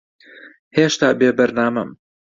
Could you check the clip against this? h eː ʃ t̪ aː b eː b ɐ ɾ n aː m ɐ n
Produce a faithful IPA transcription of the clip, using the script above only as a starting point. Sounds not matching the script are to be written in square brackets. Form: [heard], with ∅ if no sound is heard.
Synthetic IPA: h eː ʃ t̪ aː b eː b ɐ ɾ n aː m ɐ [m]